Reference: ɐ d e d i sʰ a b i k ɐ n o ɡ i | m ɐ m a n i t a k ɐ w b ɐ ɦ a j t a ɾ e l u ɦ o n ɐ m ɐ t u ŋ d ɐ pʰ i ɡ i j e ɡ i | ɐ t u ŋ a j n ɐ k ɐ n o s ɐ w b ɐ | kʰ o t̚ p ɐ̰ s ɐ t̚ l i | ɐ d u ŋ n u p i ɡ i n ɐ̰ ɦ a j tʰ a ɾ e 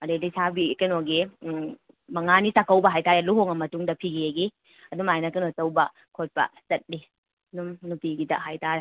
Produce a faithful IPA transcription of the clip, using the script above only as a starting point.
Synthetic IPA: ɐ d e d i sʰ a b i k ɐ n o ɡ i | m ɐ ŋ a n i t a k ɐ w b ɐ ɦ a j t a ɾ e l u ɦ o ŋ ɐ m ɐ t u ŋ d ɐ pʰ i ɡ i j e ɡ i | ɐ d u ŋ a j n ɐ k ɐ n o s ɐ w b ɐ | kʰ o t̚ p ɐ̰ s ɐ t̚ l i | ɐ d u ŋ n u p i ɡ i d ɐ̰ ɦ a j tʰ a ɾ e